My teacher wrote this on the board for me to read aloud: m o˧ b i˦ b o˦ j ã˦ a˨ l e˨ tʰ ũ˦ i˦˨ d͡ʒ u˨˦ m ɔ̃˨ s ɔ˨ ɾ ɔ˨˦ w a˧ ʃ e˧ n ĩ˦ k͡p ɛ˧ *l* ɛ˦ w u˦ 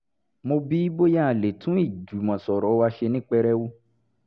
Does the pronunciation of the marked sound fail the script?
yes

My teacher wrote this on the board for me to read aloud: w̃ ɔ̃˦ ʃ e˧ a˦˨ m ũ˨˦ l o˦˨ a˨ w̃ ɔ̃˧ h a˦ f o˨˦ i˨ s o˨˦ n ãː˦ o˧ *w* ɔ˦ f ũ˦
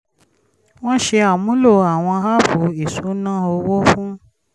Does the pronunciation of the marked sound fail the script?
no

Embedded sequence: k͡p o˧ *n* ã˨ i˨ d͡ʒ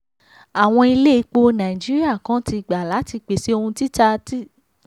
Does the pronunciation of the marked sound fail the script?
no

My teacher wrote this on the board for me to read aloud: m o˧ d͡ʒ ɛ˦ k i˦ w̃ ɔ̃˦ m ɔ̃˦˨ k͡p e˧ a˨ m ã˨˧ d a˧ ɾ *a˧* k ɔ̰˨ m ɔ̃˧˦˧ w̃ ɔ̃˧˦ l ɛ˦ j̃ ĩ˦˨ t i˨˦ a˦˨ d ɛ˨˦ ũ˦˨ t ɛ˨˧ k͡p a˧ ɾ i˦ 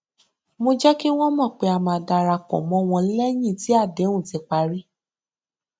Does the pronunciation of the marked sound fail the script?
no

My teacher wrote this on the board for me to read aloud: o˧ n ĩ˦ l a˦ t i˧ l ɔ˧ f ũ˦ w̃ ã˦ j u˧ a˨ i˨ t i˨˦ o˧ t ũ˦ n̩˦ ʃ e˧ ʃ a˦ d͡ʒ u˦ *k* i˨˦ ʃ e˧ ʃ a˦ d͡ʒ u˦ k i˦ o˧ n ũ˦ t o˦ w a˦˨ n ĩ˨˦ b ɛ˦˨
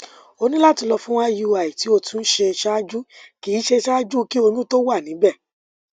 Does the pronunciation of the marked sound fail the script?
no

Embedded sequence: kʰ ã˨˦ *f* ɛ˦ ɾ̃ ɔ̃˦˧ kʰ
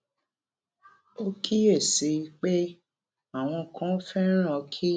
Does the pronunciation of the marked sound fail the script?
no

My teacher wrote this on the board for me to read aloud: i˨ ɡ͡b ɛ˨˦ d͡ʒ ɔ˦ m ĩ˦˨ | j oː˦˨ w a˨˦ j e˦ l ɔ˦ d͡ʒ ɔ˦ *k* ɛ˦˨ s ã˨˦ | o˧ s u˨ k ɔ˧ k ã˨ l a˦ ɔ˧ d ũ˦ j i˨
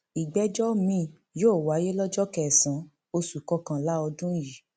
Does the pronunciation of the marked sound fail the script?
no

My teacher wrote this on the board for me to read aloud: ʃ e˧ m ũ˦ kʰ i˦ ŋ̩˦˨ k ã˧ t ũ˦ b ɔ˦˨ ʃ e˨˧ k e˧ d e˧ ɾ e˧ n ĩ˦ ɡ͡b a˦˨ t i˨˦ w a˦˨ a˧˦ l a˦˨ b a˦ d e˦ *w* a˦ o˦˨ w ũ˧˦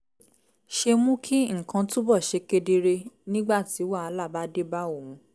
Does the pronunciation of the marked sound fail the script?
yes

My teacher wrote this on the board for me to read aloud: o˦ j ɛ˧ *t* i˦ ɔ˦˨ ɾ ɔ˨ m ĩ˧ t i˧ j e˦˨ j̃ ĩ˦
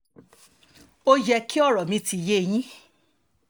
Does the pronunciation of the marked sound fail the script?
yes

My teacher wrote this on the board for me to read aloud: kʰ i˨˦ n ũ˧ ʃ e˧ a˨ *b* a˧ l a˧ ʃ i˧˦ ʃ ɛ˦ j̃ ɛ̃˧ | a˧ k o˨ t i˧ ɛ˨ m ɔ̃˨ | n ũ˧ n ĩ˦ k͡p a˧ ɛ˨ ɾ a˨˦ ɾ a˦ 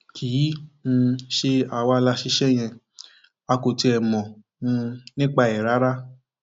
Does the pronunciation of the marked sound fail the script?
yes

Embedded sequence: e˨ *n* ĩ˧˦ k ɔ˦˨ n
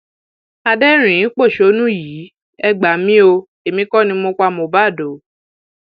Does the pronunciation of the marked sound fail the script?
yes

